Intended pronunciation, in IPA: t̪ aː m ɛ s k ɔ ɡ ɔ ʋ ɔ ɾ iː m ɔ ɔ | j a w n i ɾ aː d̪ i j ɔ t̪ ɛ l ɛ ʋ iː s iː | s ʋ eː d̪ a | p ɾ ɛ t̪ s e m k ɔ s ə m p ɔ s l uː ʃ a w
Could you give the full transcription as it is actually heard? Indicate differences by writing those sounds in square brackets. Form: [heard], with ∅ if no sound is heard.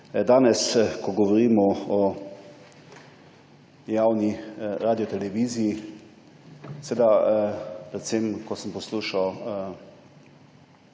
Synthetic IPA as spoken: [d̪] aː [n] ɛ s k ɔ ɡ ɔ ʋ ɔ ɾ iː m ɔ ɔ | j a w n i ɾ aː d̪ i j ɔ t̪ ɛ l ɛ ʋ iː [z] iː | s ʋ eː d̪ a | p ɾ ɛ t̪ s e m k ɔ s ə m p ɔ s l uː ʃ a w